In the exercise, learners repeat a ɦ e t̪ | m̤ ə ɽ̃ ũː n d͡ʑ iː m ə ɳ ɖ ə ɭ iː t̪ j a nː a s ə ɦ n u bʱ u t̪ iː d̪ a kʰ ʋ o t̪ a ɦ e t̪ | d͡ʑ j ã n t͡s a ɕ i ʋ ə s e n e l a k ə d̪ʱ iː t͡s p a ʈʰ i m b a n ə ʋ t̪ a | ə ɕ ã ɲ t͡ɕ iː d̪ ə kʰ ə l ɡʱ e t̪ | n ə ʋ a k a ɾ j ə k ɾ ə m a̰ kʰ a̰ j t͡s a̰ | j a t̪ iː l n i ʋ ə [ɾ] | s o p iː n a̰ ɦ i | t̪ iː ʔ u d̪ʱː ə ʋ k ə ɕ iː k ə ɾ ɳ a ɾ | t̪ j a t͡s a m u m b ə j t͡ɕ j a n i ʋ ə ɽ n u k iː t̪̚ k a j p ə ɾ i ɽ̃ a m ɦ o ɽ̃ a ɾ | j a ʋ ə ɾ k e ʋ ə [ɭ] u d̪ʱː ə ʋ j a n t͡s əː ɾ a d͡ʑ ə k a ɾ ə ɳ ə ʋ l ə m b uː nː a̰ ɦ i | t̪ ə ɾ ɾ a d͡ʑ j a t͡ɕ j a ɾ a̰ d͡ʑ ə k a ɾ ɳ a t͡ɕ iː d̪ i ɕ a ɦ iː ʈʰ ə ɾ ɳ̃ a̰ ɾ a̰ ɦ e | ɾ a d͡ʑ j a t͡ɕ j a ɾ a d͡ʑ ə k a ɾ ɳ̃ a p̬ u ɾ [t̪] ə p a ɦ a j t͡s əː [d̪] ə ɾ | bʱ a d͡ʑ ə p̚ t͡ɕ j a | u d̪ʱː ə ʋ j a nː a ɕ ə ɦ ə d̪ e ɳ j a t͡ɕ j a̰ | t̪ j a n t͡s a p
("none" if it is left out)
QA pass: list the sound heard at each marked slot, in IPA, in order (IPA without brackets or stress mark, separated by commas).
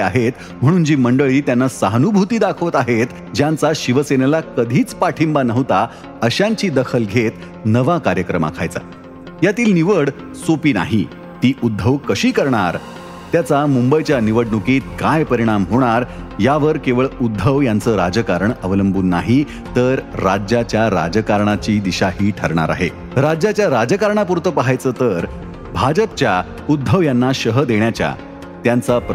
ɽ, ɭ, t̪, t̪